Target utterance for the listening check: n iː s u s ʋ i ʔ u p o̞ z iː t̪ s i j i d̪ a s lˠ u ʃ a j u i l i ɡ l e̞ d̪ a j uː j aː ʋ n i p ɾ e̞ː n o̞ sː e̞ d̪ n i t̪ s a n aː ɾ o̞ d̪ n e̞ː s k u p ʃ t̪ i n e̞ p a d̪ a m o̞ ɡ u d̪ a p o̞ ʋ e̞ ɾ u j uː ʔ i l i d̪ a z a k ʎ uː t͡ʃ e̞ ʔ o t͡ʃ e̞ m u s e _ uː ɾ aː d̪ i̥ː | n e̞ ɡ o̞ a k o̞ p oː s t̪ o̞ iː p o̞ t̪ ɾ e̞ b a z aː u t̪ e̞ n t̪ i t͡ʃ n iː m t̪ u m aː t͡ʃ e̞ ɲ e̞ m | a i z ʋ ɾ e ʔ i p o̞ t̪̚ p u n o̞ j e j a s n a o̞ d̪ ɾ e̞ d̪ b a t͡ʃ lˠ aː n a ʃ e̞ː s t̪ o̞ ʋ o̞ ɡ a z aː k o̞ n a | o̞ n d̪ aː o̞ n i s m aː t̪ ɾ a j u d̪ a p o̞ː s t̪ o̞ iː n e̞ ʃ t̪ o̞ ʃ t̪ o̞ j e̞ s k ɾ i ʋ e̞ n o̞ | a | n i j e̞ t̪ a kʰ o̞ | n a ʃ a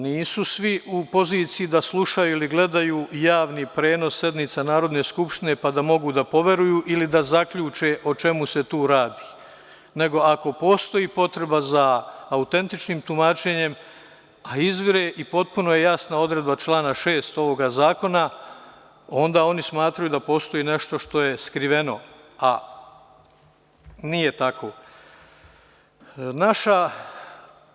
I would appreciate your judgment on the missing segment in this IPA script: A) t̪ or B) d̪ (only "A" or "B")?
A